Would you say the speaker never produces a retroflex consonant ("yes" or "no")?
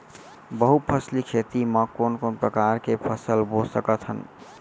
yes